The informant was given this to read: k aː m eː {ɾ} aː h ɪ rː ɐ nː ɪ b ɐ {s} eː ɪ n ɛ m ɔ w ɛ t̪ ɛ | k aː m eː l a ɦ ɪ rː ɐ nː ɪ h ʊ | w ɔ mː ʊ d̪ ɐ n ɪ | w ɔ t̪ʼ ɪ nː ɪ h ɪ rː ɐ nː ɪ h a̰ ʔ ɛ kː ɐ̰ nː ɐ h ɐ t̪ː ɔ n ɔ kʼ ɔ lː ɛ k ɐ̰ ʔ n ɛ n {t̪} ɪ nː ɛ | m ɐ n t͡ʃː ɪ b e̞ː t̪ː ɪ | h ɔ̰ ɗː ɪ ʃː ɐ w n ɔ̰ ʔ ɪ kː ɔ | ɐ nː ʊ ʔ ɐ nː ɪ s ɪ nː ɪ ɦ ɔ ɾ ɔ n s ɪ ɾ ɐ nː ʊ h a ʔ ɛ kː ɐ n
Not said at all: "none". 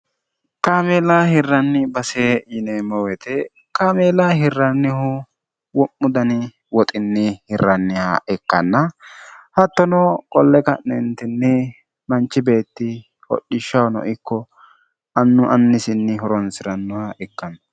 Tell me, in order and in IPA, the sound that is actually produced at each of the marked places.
l, s, t̪

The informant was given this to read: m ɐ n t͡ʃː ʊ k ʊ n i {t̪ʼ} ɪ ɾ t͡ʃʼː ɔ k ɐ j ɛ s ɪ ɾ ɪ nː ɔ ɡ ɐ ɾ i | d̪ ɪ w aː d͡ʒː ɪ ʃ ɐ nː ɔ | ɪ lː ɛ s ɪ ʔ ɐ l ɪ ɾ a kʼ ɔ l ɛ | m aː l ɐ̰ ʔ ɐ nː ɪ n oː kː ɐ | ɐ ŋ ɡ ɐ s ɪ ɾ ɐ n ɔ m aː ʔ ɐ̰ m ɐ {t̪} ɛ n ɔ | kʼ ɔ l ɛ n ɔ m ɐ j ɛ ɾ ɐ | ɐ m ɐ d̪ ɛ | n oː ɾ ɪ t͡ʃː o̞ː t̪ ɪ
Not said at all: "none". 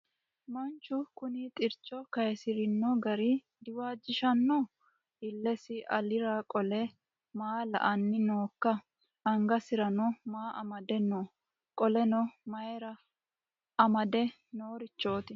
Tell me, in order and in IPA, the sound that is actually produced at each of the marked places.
t̪ʼ, d̪

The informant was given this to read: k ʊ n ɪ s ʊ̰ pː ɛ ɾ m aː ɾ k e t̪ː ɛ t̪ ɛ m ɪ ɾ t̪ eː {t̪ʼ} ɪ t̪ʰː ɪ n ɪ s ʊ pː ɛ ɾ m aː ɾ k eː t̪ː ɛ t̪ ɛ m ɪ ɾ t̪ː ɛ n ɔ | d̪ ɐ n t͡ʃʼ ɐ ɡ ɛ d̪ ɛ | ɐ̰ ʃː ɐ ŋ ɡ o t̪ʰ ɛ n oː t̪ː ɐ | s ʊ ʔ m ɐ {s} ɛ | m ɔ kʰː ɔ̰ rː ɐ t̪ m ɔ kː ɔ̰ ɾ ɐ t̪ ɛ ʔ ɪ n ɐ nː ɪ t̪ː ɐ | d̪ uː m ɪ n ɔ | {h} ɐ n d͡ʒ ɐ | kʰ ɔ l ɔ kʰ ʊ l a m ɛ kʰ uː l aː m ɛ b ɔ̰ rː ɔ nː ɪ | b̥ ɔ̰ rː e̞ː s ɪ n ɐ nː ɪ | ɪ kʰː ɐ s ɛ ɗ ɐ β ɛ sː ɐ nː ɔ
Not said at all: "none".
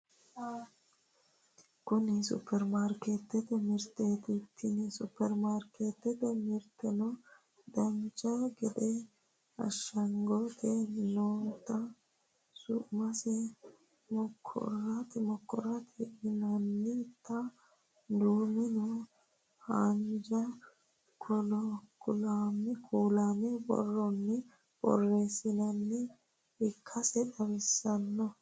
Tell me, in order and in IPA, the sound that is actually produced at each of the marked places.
t̪, s, h

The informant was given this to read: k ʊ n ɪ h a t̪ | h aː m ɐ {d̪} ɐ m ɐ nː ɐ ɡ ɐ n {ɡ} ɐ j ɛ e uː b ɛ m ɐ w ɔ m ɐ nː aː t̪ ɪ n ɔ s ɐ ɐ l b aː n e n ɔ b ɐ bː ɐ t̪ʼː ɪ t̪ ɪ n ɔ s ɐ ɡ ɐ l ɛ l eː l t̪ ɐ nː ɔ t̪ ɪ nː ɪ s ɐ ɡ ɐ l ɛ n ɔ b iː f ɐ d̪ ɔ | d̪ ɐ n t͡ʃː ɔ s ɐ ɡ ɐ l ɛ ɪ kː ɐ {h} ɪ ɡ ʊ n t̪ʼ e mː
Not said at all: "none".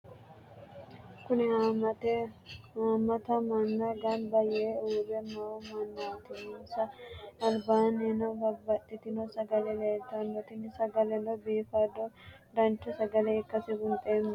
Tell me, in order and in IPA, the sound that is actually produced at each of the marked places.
t̪, b, s

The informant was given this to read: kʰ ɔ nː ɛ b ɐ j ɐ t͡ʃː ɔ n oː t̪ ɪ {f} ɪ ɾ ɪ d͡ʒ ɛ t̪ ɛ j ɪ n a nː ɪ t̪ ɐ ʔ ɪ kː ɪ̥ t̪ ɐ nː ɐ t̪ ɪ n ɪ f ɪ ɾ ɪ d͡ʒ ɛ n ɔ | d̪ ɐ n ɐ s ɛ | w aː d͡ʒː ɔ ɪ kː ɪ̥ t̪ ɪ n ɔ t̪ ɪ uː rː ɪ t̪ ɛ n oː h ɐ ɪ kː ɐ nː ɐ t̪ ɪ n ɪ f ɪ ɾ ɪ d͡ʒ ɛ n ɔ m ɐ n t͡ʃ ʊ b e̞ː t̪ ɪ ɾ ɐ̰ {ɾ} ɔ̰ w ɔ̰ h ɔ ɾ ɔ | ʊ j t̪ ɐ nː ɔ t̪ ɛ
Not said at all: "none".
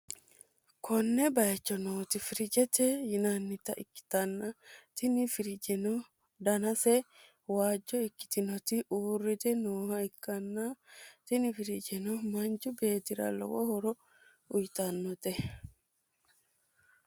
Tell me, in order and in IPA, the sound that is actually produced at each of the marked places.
f, l

